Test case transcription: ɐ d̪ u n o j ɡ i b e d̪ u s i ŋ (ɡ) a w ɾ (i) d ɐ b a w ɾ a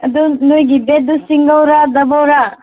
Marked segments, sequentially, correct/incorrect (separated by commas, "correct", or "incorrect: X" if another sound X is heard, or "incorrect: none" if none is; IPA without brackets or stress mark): correct, incorrect: a